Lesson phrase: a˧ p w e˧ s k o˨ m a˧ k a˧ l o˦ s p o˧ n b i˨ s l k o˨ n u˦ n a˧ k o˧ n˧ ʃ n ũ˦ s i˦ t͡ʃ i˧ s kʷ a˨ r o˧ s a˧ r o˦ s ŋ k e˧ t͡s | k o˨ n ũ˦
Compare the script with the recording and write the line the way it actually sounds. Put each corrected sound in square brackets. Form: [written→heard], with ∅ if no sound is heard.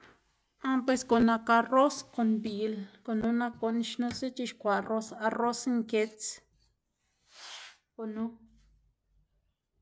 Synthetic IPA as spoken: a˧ p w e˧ s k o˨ [m→n] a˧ k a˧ [l→r] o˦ s [p→k] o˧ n b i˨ [s→∅] l k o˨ n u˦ n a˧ k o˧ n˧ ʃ n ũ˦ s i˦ t͡ʃ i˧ [s→ʃ] kʷ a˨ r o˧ s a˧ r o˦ s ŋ k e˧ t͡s | k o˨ n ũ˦

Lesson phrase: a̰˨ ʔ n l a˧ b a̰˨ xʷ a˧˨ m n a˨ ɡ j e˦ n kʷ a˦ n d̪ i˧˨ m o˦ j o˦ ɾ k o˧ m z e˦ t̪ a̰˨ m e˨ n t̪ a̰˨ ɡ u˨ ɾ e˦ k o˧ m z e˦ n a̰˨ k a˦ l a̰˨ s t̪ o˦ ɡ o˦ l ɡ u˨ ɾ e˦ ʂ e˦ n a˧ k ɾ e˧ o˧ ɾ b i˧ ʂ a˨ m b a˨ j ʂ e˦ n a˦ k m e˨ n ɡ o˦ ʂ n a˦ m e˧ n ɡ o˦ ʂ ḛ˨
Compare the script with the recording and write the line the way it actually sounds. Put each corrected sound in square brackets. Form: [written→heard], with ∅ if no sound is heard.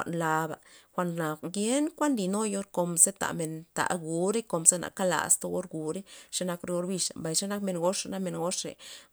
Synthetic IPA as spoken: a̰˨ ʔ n l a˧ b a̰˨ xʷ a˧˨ [m→n] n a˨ ɡ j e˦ n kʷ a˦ n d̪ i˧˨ [m→n] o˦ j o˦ ɾ k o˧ m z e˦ t̪ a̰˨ m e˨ n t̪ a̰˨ ɡ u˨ ɾ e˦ k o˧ m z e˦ n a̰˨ k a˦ l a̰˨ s t̪ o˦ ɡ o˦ [l→ɾ] ɡ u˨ ɾ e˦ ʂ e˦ n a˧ k ɾ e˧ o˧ ɾ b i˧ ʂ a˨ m b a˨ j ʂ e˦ n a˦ k m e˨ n ɡ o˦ ʂ n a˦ m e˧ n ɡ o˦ ʂ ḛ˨

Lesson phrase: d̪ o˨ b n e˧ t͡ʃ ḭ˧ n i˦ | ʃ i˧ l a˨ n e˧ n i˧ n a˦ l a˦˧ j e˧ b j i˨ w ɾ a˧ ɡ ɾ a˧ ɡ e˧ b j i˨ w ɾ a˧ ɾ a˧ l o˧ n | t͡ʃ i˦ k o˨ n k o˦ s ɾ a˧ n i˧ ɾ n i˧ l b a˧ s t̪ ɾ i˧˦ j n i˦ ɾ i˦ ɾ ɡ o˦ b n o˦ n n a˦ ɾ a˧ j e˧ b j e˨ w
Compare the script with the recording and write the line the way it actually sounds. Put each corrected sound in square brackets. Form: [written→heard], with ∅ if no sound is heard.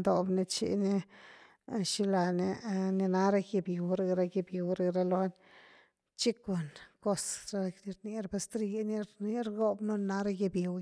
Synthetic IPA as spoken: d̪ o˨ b n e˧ t͡ʃ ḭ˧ n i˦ | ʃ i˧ l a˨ n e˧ n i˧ n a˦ [l→ɾ] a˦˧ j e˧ b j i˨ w ɾ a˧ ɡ ɾ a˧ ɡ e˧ b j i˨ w ɾ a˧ ɾ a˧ l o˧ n | t͡ʃ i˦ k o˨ n k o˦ s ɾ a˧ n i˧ ɾ n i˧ [l→ɾ] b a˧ s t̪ ɾ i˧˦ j n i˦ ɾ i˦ ɾ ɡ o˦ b n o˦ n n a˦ ɾ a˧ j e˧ b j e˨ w

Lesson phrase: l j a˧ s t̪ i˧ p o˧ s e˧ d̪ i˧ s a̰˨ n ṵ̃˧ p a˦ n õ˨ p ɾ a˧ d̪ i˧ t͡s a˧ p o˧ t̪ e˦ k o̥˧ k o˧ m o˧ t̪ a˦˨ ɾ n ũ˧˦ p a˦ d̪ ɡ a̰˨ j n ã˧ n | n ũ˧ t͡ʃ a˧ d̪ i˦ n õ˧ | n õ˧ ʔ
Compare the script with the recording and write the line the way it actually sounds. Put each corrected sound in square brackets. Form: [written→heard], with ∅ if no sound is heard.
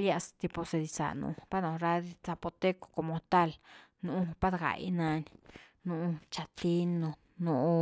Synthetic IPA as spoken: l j a˧ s t̪ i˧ p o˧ s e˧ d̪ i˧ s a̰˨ n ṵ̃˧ p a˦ n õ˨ [p→∅] ɾ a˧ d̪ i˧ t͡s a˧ p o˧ t̪ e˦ k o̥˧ k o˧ m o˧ t̪ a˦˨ [ɾ→l] n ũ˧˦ p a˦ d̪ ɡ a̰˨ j n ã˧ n | n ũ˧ t͡ʃ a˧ [d̪→t̪] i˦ n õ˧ | n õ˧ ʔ

